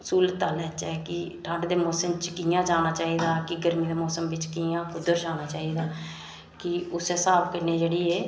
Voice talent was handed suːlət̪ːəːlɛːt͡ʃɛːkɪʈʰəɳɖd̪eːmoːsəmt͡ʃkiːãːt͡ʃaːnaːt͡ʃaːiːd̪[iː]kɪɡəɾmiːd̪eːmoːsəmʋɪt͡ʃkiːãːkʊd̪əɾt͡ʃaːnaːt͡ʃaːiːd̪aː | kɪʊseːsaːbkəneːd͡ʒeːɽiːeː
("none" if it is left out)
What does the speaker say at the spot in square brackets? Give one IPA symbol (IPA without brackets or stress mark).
aː